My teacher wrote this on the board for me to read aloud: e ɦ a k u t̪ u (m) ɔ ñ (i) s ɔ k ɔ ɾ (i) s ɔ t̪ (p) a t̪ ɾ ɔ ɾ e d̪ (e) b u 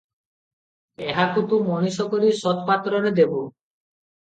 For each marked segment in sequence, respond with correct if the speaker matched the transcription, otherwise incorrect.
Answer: correct, correct, correct, correct, correct

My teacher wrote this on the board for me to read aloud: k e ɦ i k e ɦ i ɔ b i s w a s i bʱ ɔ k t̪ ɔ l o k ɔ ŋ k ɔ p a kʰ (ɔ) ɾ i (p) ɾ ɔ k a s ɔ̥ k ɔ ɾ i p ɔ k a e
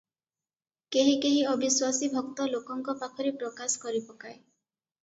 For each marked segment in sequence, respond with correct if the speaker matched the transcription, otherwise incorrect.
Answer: correct, correct

